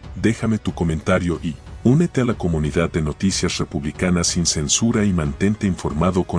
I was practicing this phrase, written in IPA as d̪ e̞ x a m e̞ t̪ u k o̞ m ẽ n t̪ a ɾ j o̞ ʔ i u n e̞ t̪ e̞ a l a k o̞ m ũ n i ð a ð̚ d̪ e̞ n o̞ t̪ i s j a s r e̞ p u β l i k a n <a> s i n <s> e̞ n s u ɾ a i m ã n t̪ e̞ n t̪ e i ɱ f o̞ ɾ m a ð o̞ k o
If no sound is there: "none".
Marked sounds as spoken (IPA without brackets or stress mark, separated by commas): a, s